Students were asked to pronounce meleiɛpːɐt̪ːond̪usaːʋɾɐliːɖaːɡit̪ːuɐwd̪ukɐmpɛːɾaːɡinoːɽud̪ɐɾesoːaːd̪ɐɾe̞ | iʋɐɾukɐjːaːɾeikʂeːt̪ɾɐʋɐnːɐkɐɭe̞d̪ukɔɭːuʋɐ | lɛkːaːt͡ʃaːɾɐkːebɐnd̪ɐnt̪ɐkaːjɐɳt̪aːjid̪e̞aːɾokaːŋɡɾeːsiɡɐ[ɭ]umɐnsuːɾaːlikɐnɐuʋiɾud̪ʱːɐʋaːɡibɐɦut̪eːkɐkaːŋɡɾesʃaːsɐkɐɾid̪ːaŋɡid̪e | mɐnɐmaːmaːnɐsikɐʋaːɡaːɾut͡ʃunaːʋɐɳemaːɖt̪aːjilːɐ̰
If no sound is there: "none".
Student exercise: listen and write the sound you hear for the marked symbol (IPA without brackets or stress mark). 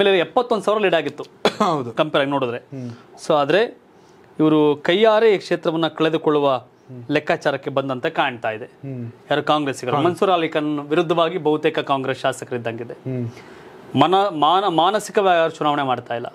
ɾ